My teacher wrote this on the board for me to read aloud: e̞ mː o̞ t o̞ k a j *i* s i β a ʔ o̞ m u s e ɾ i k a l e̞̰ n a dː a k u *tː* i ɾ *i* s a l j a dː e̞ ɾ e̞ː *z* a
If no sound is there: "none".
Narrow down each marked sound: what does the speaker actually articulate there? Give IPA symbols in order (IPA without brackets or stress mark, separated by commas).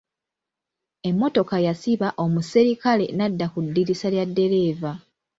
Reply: a, dː, i, v